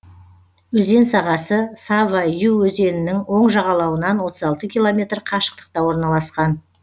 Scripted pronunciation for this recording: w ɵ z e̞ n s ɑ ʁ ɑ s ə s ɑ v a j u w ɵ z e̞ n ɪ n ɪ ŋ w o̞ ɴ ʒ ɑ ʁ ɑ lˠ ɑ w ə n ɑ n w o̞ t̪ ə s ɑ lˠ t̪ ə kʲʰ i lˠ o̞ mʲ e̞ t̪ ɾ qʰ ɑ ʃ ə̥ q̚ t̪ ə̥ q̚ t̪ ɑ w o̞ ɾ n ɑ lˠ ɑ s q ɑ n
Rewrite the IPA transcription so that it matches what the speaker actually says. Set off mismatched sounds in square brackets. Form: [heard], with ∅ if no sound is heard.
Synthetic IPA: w ɵ z e̞ n s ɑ ʁ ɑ s ə s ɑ v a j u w ɵ z e̞ n ɪ n ɪ ŋ w o̞ ɴ ʒ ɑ ʁ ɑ lˠ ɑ w ə n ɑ n w o̞ t̪ ə [z] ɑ lˠ t̪ ə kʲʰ i lˠ o̞ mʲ e̞ t̪ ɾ qʰ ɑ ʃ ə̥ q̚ t̪ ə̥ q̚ t̪ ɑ w o̞ ɾ n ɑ lˠ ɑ s q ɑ n